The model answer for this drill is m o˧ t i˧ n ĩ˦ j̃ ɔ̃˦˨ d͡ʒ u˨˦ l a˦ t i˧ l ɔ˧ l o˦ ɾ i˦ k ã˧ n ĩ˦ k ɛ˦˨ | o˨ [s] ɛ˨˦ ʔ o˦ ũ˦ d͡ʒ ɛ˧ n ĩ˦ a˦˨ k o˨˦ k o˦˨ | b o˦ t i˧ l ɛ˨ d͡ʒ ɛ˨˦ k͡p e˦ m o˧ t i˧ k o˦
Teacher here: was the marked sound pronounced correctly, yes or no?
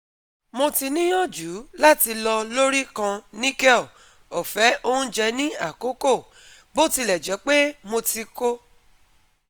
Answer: no